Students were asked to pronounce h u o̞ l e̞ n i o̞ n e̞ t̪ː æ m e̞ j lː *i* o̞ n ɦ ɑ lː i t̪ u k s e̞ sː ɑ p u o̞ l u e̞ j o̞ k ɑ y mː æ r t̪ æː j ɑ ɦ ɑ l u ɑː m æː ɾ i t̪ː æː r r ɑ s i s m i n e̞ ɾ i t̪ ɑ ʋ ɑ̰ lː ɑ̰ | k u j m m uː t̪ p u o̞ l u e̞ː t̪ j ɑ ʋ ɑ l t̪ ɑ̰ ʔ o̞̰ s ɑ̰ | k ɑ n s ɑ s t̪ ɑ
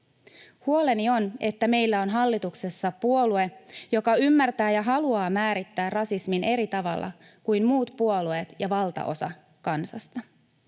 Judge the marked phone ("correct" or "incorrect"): incorrect